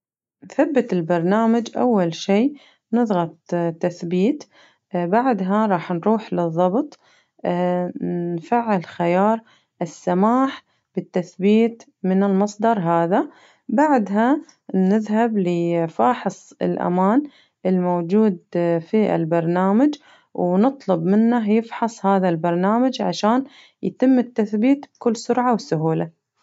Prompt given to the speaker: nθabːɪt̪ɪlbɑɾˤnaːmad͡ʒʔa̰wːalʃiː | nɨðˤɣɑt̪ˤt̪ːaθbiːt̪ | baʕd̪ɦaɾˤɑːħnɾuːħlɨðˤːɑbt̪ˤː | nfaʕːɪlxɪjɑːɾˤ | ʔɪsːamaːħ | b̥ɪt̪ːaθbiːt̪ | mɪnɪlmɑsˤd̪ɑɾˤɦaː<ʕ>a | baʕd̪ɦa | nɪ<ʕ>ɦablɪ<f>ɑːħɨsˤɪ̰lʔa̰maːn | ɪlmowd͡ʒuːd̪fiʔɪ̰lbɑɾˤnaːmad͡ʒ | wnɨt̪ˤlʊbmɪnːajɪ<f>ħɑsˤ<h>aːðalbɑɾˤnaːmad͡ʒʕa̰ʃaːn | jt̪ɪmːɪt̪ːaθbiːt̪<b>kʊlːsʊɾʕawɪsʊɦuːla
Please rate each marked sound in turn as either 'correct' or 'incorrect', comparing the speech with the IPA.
incorrect: ð, incorrect: ð, correct, correct, correct, correct

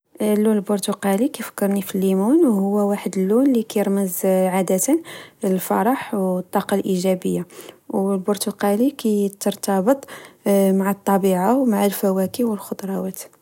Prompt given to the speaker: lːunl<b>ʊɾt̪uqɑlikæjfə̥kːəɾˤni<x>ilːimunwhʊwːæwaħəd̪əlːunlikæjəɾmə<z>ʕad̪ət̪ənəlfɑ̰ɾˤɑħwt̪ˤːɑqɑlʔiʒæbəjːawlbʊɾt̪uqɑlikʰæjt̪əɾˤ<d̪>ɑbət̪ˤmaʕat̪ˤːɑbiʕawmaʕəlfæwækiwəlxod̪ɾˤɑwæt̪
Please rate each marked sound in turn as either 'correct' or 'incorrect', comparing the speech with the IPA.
correct, incorrect: f, correct, incorrect: t̪

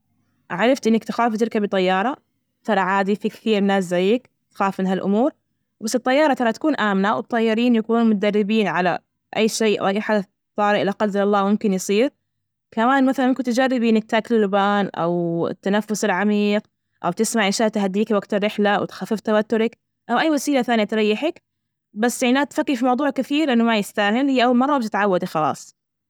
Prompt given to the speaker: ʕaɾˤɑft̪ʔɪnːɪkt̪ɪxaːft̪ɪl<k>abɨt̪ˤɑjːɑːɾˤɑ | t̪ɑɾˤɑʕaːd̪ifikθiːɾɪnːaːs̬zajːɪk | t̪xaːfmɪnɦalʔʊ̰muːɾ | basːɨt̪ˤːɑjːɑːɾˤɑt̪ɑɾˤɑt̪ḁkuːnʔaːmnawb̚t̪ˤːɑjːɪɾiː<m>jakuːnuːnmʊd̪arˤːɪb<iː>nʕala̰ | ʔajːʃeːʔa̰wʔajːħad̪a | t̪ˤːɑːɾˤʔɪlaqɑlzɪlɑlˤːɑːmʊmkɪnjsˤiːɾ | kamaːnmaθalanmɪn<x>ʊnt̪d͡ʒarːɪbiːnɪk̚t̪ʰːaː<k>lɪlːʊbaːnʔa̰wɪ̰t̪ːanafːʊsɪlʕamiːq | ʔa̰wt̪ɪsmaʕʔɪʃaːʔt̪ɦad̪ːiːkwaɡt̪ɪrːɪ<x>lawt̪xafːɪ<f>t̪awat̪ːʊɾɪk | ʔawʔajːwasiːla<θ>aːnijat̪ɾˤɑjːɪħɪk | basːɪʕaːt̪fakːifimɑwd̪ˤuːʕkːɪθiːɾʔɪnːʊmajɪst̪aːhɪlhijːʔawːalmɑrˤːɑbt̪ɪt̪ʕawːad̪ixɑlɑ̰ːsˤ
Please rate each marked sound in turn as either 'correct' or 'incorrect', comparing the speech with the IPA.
correct, incorrect: n, correct, incorrect: k, correct, incorrect: ħ, correct, correct

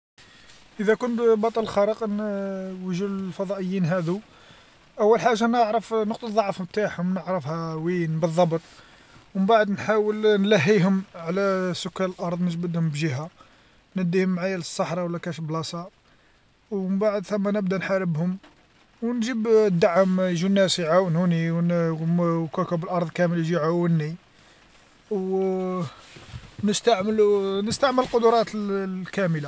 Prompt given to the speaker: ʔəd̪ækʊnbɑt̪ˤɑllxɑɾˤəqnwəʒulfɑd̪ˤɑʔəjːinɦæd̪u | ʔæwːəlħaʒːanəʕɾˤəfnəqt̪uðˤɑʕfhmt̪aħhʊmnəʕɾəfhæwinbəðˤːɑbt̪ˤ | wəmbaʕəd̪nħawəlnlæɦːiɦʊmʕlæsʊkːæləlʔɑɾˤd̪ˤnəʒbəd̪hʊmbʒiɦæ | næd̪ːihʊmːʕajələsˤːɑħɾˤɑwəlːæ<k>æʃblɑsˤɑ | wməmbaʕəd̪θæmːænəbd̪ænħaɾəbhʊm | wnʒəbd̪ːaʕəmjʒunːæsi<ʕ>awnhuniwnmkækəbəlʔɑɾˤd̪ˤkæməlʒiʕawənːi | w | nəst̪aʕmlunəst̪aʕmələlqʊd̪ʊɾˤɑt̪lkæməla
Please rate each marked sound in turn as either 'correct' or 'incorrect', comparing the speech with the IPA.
correct, correct

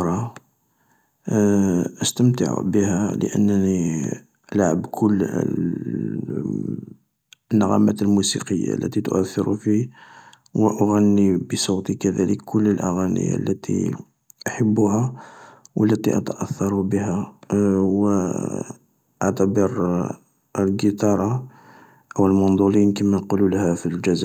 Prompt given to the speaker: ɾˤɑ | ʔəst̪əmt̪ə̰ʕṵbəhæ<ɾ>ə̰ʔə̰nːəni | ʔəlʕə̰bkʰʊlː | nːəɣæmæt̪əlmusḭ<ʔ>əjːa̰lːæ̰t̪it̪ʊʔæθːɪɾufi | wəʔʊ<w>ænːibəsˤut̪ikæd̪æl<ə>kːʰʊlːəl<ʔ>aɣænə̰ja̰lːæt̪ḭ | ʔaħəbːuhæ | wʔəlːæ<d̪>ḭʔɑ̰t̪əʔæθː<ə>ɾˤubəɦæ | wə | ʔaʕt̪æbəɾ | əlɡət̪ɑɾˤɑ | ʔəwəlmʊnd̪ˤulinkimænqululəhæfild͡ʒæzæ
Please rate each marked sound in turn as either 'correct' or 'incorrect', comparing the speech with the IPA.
incorrect: l, incorrect: q, incorrect: ɣ, correct, correct, incorrect: t̪, incorrect: ɑ

